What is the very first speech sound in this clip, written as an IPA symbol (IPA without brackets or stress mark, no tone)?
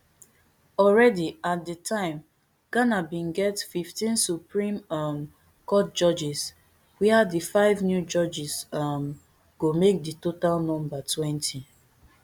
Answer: ɔ